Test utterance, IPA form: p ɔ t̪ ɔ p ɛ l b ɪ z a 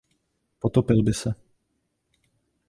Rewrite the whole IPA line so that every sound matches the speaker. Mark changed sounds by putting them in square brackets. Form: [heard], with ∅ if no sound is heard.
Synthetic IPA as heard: p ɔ t̪ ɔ p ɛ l b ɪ [s] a

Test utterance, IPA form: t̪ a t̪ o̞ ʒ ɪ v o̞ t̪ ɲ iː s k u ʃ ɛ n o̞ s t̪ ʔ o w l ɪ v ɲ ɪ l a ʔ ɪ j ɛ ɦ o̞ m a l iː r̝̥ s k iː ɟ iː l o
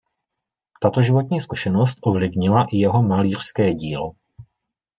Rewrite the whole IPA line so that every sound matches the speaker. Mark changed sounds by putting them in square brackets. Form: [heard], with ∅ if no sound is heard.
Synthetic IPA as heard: t̪ a t̪ o̞ ʒ ɪ v o̞ t̪ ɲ iː s k u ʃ ɛ n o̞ s t̪ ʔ o [v] l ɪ v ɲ ɪ l a ʔ ɪ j ɛ ɦ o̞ m a l iː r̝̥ s k [ɛː] ɟ iː l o

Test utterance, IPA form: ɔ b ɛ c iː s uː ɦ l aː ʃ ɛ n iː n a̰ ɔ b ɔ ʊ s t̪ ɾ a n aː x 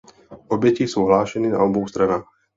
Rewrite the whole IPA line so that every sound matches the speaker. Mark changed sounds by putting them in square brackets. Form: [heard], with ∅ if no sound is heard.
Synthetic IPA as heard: ɔ b ɛ c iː s uː ɦ l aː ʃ ɛ n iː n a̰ ɔ b ɔ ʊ s t̪ ɾ a n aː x

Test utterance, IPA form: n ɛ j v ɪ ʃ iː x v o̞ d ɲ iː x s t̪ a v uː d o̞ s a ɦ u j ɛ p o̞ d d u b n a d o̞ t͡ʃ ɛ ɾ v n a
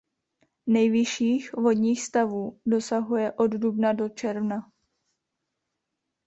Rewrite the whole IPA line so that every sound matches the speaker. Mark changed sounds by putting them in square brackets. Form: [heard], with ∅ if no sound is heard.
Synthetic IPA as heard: n ɛ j v ɪ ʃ iː x v o̞ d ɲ iː x s t̪ a v uː d o̞ s a ɦ u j ɛ [ʔ] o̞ d d u b n a d o̞ t͡ʃ ɛ ɾ v n a

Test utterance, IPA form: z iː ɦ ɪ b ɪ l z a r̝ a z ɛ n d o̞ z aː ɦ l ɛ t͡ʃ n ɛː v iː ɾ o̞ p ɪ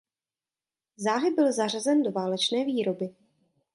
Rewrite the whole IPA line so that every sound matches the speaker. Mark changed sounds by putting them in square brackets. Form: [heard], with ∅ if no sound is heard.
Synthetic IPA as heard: z [aː] ɦ ɪ b ɪ l z a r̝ a z ɛ n d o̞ [v] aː [∅] l ɛ t͡ʃ n ɛː v iː ɾ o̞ [b] ɪ

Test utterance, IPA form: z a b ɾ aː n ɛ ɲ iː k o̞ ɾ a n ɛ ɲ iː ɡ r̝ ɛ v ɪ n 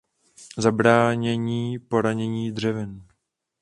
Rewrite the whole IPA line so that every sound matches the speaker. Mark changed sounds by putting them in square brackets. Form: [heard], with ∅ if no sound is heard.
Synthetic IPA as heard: z a b ɾ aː [ɲ] ɛ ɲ iː [p] o̞ ɾ a [ɲ] ɛ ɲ iː [d] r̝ ɛ v ɪ n

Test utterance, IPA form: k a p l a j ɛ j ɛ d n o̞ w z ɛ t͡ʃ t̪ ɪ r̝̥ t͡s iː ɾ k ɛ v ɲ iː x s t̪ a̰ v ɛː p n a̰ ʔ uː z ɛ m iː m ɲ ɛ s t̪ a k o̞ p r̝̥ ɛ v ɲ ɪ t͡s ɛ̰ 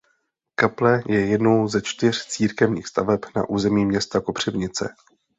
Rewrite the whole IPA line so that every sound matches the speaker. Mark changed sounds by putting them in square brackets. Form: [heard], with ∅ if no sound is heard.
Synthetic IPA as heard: k a p l [ɛ] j ɛ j ɛ d n o̞ w z ɛ t͡ʃ t̪ ɪ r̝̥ t͡s iː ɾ k ɛ v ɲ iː x s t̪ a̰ v [ɛ] p n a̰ ʔ uː z ɛ m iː m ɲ ɛ s t̪ a k o̞ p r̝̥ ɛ v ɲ ɪ t͡s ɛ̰

